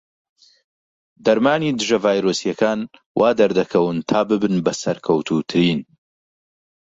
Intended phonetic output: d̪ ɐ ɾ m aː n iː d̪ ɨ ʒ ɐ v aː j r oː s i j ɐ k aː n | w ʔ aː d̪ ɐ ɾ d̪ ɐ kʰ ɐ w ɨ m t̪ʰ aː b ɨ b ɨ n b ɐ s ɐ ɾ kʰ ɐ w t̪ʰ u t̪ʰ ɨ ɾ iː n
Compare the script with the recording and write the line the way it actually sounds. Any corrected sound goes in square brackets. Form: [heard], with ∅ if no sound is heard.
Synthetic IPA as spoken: d̪ ɐ ɾ m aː n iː d̪ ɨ ʒ ɐ v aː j [ɾ] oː s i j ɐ k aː n | w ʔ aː d̪ ɐ ɾ d̪ ɐ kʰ ɐ w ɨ [n] t̪ʰ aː b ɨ b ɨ n b ɐ s ɐ ɾ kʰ ɐ w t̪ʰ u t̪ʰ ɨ ɾ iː n